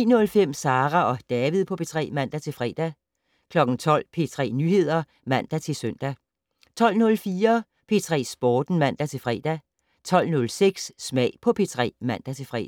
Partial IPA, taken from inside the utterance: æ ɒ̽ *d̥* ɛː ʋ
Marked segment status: correct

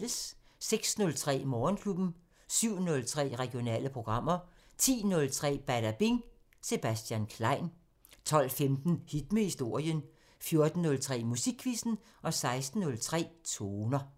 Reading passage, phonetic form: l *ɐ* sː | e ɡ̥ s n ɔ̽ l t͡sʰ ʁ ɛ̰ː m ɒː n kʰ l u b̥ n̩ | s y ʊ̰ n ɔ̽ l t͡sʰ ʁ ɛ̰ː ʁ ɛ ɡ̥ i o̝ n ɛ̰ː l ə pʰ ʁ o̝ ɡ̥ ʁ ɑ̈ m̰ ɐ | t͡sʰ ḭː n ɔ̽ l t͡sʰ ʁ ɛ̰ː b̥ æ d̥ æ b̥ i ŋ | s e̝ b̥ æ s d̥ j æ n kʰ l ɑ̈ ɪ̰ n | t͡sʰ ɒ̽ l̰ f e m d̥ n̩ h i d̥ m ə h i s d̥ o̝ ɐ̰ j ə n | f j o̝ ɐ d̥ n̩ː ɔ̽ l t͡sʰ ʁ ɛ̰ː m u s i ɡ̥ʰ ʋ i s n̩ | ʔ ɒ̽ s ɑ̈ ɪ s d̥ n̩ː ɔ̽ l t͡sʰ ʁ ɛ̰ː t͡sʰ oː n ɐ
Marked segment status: incorrect: ə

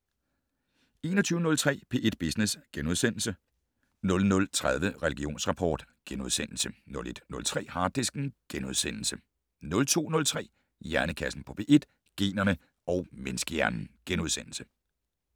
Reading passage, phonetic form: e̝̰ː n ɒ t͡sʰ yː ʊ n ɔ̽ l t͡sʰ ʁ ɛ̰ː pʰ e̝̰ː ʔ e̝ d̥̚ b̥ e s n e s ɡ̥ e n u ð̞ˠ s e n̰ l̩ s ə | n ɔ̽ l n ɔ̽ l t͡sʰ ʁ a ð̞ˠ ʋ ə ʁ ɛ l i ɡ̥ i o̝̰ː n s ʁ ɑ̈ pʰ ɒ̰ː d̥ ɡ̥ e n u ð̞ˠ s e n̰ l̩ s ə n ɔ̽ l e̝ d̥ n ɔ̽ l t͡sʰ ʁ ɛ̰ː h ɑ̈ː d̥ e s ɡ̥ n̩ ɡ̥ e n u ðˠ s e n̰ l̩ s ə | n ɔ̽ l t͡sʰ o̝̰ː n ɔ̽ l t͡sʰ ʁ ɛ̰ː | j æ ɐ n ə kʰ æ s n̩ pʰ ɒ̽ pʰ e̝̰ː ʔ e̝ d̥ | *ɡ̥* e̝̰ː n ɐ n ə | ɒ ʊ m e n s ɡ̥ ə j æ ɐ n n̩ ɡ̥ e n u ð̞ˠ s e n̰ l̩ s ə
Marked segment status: correct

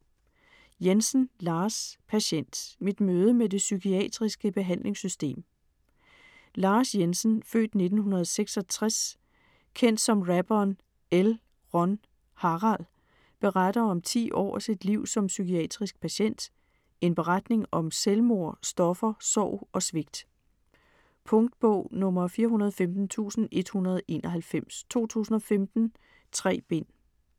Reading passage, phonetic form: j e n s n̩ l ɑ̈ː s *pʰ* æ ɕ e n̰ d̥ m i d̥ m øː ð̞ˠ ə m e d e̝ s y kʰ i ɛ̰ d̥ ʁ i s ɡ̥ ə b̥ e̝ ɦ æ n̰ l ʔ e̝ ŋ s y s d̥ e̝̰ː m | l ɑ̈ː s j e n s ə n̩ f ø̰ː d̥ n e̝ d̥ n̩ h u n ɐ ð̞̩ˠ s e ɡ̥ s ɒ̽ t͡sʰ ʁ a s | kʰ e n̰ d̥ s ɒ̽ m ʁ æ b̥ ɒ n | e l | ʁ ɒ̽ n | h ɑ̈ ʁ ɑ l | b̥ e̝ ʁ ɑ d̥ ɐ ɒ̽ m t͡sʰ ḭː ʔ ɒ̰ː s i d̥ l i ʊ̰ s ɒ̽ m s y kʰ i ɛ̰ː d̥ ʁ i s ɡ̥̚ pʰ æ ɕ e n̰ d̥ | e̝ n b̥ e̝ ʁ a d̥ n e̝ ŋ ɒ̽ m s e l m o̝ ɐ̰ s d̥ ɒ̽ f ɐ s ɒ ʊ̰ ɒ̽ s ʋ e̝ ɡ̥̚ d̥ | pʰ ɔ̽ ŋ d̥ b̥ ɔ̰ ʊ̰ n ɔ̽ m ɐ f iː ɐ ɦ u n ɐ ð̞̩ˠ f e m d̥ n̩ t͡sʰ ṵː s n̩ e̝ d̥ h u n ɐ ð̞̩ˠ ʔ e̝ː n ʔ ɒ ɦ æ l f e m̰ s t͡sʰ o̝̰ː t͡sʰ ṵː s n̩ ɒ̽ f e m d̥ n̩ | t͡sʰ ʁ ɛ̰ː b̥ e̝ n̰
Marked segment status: correct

